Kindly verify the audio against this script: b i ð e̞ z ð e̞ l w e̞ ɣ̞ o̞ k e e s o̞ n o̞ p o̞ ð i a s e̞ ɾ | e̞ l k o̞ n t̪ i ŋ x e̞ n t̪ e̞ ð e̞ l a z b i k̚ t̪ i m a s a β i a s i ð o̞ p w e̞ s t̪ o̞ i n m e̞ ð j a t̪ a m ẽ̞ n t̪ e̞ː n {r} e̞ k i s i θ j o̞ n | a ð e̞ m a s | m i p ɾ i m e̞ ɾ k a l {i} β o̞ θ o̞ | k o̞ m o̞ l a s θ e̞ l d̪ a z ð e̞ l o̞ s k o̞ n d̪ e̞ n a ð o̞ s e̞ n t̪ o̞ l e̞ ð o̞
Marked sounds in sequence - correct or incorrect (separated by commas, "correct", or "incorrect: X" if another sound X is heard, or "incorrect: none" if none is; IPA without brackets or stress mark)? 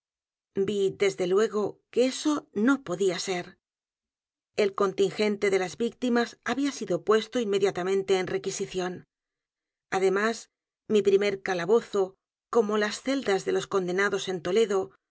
correct, incorrect: a